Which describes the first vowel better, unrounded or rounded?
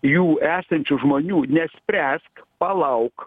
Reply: rounded